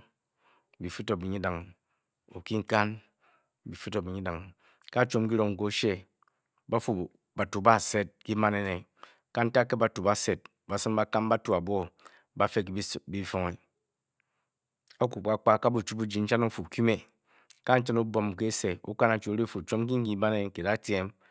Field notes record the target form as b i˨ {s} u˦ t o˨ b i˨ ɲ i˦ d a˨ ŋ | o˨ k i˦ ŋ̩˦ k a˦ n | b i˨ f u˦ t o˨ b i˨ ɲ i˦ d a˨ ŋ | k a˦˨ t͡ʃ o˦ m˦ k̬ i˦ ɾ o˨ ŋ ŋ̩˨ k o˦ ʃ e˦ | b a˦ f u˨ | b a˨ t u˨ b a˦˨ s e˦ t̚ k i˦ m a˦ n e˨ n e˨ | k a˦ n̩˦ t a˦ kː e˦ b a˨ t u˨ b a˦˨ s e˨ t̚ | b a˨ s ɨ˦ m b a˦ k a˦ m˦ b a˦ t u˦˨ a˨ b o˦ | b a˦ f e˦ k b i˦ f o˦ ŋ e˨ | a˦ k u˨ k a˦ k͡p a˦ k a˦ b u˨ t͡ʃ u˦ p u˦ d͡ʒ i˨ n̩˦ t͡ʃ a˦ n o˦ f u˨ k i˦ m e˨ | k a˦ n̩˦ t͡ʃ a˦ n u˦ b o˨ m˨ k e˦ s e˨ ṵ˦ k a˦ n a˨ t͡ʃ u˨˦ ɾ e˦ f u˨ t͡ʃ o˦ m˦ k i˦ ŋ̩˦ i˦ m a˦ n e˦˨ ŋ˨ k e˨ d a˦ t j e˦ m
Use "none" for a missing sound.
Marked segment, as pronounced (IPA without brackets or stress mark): f